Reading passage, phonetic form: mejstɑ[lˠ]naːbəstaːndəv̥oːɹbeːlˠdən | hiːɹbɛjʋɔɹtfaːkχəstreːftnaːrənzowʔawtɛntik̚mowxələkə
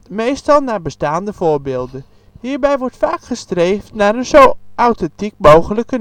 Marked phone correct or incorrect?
correct